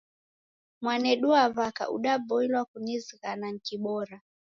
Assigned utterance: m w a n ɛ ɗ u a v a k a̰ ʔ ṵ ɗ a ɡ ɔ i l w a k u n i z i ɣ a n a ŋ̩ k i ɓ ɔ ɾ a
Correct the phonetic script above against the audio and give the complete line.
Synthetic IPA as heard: m w a n ɛ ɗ u a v a k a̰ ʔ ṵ ɗ a b ɔ i l w a k u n i z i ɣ a n a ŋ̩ k i ɓ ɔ ɾ a